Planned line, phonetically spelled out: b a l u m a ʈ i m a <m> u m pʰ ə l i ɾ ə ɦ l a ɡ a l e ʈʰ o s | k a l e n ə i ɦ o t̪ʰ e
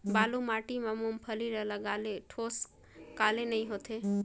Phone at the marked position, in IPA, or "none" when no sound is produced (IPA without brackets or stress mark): m